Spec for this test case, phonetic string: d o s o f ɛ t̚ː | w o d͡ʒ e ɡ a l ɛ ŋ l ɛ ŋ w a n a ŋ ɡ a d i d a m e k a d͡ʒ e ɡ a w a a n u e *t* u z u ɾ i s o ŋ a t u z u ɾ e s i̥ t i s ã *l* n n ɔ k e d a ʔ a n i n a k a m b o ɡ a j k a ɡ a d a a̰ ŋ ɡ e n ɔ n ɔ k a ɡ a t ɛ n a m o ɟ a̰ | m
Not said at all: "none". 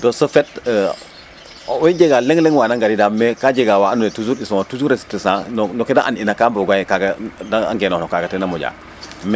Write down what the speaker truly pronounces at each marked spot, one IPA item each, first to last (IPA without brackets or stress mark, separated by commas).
t, none